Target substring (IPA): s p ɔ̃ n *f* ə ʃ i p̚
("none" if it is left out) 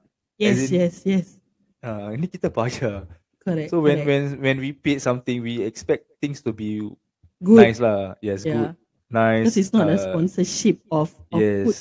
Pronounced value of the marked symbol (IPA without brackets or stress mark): s